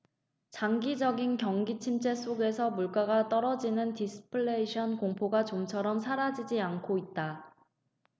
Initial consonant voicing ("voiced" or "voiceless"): voiceless